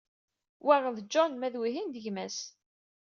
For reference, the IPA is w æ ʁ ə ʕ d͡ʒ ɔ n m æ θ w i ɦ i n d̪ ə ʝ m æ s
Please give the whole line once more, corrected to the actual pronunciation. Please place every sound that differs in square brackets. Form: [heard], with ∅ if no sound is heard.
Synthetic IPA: w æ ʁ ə [ð] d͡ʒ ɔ n m æ [ð] w i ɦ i n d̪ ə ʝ m æ s